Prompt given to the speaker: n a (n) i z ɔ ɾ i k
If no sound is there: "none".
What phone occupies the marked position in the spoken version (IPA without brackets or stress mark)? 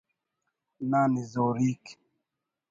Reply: n